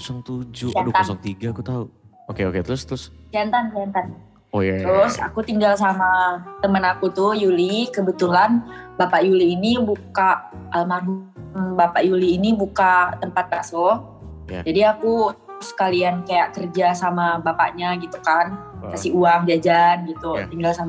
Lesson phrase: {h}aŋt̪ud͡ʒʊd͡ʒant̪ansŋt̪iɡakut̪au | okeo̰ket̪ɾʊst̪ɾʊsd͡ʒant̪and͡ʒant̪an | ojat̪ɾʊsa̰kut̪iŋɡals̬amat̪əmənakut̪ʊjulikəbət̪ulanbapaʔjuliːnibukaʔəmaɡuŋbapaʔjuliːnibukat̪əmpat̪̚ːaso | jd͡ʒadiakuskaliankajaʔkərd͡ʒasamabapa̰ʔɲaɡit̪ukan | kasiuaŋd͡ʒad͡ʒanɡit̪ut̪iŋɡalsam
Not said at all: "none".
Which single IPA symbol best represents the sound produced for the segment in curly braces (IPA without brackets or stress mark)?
s